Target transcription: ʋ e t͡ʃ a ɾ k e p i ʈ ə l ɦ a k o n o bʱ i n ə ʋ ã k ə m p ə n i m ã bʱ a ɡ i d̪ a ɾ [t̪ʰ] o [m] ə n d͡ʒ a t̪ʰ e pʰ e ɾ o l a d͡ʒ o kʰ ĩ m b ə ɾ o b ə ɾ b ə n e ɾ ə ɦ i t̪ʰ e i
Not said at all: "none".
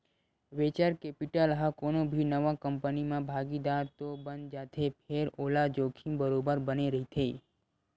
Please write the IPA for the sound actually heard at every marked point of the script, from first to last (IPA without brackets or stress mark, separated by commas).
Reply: t̪, b